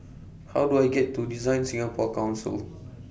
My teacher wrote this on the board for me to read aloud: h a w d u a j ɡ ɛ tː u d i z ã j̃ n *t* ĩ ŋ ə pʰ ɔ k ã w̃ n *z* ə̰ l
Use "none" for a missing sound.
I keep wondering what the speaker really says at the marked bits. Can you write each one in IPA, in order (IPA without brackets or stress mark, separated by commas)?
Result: s, s